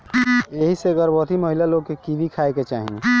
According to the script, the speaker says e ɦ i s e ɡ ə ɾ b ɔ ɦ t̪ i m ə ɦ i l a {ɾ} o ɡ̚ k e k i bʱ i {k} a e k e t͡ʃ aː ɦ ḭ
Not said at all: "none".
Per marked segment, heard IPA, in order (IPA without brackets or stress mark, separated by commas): l, kʰ